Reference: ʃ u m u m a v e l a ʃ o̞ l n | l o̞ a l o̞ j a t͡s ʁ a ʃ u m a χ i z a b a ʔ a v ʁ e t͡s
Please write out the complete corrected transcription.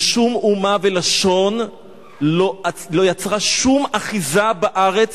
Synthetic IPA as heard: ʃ u m u m a v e l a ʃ o̞ n | l o̞ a l o̞ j a t͡s ʁ a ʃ u m a χ i z a b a ʔ a ʁ e t͡s